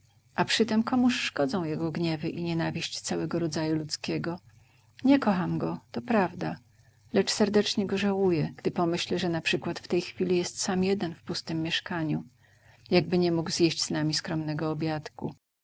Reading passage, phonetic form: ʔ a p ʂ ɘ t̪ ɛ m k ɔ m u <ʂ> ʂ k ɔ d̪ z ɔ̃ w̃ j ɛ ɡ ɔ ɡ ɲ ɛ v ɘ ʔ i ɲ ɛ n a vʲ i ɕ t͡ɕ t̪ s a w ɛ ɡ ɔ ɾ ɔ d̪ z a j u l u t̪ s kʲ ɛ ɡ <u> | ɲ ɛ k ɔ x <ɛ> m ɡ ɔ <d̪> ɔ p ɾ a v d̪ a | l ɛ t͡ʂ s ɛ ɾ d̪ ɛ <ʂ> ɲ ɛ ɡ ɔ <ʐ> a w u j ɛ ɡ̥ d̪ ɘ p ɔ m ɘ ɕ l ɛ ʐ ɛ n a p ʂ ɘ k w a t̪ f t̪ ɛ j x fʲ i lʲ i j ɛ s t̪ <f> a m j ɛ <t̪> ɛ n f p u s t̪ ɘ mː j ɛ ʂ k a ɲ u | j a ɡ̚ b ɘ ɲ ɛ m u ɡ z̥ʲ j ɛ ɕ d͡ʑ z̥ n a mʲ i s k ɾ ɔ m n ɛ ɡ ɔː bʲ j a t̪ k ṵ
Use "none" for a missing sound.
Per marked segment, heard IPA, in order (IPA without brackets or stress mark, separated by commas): ʂ, ɔ, a, t̪, t͡ʂ, ʐ, s, d̪